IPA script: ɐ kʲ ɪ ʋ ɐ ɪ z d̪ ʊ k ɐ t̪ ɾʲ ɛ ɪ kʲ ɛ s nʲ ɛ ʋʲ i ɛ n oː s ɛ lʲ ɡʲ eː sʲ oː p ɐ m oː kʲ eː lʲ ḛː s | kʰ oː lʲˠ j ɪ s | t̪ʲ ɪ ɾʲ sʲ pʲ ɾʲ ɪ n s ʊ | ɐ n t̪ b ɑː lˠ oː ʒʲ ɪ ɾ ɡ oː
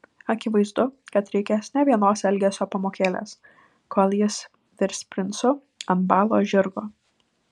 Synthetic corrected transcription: ɐ kʲ ɪ ʋ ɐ ɪ z d̪ ʊ k ɐ t̪ ɾʲ ɛ ɪ kʲ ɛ s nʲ ɛ ʋʲ i ɛ n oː s ɛ lʲ ɡʲ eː sʲ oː p ɐ m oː kʲ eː lʲ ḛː s | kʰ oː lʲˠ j ɪ s | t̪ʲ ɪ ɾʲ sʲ pʲ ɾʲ ɪ n s ʊ | ɐ n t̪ b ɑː lˠ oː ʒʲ ɪ ɾ ɡ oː